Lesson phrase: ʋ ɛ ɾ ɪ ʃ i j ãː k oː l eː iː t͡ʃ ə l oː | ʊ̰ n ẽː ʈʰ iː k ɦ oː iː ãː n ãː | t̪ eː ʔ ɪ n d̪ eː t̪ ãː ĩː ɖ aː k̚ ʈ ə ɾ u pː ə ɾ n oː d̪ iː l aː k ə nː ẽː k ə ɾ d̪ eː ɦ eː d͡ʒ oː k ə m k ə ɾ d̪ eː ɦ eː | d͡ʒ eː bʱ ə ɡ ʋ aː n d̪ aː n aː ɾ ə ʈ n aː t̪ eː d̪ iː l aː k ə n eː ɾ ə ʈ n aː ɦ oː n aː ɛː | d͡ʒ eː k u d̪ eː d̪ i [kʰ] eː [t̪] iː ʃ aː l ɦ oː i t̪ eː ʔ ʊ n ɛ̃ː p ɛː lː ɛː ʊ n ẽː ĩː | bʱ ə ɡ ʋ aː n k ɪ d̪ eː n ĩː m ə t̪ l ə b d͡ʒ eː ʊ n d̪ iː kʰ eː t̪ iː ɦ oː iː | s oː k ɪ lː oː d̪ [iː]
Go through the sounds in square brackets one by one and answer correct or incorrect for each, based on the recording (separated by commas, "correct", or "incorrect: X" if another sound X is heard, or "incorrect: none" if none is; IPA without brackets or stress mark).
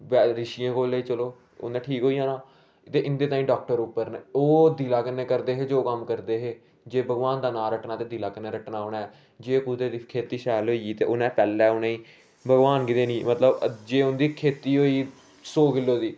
correct, correct, correct